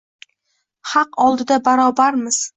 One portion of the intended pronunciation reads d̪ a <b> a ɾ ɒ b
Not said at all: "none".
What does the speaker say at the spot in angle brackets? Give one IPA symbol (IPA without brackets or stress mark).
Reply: b